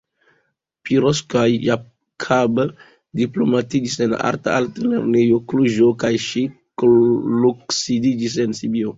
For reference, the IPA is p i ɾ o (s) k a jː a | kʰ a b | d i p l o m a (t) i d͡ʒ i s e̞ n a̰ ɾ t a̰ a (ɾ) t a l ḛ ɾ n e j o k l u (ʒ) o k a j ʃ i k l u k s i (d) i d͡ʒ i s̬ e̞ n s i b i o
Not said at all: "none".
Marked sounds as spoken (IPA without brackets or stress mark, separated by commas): s, t, l, ʒ, d